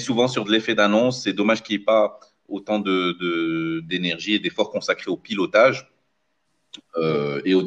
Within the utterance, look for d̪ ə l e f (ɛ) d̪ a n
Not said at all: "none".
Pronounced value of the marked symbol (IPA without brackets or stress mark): ɛ